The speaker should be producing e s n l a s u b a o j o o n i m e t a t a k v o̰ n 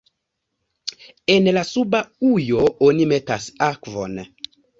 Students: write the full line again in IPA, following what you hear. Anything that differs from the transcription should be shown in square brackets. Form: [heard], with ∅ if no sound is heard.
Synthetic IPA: e [∅] n l a s u b a [u] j o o n i m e t a [s] a k v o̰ n